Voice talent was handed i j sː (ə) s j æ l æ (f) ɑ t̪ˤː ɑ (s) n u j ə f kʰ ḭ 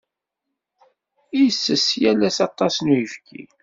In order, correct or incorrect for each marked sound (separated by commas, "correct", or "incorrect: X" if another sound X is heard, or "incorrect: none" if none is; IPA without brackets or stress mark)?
correct, incorrect: s, correct